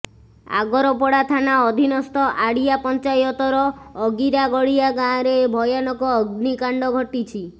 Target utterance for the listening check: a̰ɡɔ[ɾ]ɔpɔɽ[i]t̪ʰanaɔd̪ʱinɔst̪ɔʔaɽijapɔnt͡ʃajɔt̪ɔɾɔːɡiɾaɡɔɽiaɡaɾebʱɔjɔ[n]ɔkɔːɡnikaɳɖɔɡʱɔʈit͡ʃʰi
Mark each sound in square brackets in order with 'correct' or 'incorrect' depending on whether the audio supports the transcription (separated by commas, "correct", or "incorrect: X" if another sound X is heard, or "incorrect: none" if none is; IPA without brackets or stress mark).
correct, incorrect: a, correct